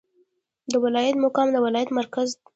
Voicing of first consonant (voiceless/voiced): voiced